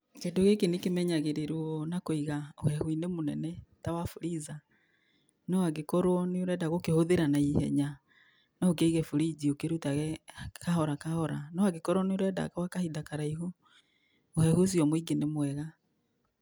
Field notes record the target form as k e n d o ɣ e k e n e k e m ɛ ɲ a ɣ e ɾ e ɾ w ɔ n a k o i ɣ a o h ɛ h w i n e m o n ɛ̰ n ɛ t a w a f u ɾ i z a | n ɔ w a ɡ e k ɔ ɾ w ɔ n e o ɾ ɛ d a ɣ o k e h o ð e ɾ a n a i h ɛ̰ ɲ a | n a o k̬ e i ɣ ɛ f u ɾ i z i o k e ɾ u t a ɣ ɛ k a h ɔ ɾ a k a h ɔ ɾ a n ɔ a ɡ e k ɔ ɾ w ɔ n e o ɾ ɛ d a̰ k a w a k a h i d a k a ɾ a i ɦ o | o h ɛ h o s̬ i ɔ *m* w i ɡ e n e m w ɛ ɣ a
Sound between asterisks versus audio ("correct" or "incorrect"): correct